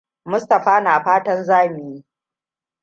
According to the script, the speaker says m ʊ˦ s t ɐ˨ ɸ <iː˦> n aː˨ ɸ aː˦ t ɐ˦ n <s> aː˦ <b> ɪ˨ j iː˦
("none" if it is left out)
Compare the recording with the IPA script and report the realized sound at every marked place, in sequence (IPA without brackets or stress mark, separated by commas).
aː˦, z, m